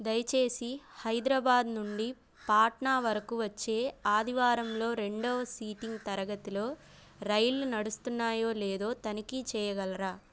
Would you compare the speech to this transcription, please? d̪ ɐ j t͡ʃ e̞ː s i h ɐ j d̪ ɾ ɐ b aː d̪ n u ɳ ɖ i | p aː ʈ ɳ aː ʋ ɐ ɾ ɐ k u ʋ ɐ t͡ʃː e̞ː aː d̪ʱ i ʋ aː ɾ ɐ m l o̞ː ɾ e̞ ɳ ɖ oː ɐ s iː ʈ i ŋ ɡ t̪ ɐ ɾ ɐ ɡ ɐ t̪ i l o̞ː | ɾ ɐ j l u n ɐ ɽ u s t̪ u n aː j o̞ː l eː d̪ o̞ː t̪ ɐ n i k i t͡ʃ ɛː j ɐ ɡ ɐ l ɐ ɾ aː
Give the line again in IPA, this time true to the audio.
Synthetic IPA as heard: d̪ ɐ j t͡ʃ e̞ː s i h ɐ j d̪ ɾ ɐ b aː d̪ n u ɳ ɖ i | p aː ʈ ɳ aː ʋ ɐ ɾ ɐ k u ʋ ɐ t͡ʃː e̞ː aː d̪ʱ i ʋ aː ɾ ɐ m l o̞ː ɾ e̞ ɳ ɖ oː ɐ s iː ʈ i ŋ ɡ t̪ ɐ ɾ ɐ ɡ ɐ t̪ i l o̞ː | ɾ ɐ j l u n ɐ ɽ u s t̪ u nː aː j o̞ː l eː d̪ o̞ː t̪ ɐ n i k i t͡ʃ ɛː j ɐ ɡ ɐ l ɐ ɾ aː